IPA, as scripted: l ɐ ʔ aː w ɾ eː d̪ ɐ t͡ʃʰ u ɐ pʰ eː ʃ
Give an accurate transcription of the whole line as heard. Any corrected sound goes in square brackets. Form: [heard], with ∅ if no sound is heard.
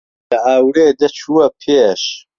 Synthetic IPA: l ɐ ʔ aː w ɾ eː d̪ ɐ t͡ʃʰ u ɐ pʰ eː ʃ